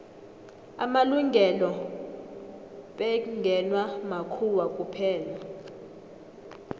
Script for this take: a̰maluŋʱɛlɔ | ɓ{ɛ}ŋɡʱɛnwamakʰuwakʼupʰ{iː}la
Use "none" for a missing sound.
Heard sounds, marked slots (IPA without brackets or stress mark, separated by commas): ɛ, ɛː